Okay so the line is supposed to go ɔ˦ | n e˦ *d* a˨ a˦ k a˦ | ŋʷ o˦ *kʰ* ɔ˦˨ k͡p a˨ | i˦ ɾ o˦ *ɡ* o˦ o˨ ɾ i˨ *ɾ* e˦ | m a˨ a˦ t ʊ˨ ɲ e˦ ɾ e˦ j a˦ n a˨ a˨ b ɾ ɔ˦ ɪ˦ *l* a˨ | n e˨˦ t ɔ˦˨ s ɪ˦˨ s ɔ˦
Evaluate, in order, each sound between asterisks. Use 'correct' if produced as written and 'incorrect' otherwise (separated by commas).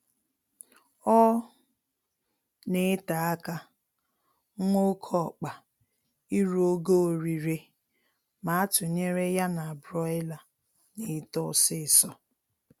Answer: incorrect, correct, correct, correct, correct